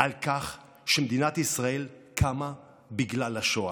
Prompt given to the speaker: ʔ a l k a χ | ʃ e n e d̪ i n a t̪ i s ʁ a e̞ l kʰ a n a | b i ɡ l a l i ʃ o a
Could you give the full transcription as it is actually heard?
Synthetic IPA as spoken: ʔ a l k a χ | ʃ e m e d̪ i n a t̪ i s ʁ a e̞ l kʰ a m a | b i ɡ l a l a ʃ o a